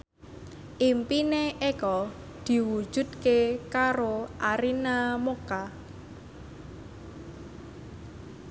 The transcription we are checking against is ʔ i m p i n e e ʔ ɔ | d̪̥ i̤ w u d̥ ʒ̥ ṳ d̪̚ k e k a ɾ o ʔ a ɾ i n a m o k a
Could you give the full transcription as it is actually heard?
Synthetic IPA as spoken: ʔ i m p i n e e k ɔ | d̪̥ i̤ w u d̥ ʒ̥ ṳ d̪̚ k e k a ɾ o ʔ a ɾ i n a m o k a